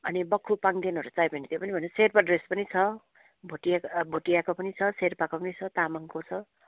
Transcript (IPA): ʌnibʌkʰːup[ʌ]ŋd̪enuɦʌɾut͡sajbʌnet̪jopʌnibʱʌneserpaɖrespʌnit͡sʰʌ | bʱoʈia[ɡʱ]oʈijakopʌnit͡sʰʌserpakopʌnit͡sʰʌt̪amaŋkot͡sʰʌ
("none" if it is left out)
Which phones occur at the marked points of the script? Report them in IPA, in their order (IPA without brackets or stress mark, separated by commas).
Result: a, bʱ